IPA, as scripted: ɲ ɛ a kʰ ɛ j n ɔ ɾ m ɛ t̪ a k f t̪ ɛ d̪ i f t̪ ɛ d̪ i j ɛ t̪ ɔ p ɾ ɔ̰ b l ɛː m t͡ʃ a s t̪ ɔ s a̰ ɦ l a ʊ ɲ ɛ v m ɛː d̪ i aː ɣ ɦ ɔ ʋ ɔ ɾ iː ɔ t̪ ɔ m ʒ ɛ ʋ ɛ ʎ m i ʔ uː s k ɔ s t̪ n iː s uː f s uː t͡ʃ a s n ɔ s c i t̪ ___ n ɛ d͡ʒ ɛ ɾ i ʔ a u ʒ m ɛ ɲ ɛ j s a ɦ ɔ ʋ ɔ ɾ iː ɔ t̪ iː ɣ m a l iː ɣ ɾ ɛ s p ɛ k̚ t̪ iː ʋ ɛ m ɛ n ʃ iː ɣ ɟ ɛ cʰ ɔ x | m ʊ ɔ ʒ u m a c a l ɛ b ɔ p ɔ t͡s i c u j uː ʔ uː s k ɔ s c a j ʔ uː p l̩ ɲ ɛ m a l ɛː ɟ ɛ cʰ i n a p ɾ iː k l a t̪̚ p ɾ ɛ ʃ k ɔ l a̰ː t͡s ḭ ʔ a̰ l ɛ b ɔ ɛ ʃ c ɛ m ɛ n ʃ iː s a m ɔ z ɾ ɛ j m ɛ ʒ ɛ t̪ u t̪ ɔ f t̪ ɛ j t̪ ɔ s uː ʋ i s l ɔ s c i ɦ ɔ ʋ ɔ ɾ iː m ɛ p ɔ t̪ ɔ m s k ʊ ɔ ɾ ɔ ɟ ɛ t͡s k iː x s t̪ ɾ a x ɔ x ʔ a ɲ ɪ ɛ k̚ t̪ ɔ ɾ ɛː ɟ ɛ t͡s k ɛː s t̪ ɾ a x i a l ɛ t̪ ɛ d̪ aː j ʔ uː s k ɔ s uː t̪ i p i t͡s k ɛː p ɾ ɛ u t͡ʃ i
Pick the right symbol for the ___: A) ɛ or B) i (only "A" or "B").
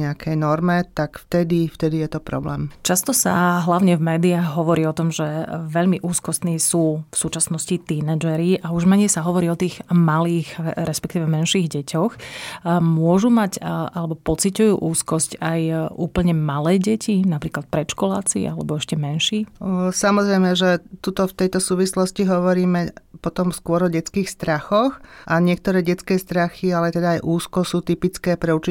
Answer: B